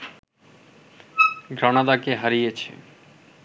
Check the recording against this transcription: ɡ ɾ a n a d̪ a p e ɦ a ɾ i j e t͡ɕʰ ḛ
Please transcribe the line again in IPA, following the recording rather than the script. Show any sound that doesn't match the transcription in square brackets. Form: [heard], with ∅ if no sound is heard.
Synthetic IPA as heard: ɡ ɾ a n a d̪ a [k] e ɦ a ɾ i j e t͡ɕʰ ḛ